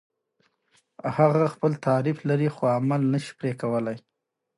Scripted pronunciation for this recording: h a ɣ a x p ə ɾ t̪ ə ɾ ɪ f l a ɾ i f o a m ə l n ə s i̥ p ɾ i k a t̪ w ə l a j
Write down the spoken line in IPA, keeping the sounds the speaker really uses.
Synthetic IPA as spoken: h a ɣ a x p ə l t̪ ɑ ɾ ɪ f l a ɾ i x o a m a l n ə ʃ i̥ p ɾ e k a w ə l a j